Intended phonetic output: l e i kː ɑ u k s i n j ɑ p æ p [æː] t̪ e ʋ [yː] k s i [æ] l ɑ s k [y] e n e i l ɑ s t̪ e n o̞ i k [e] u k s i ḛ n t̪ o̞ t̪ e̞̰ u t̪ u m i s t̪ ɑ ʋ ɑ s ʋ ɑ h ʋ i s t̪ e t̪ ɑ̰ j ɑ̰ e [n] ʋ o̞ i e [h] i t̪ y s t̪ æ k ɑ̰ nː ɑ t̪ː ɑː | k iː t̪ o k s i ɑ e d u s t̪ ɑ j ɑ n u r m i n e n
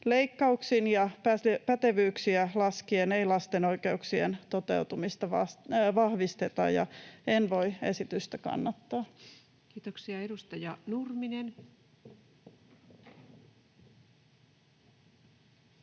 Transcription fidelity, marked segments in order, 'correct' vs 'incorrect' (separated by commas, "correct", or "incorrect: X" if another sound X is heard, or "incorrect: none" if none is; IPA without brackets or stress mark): incorrect: æ, correct, correct, incorrect: i, correct, correct, incorrect: s